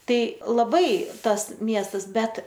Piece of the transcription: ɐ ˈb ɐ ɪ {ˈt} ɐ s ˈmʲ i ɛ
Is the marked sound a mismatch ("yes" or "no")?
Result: no